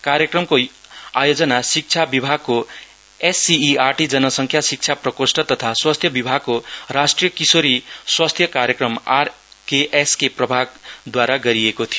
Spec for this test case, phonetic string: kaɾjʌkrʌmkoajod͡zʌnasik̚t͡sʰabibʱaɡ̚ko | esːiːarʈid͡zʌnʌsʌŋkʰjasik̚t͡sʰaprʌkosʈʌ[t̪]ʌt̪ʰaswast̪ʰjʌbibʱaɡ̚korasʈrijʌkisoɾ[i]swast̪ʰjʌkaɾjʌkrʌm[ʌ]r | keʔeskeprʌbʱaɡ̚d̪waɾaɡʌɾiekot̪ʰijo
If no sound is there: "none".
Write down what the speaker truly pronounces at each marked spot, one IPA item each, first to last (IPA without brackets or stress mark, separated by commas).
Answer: t̪, i, a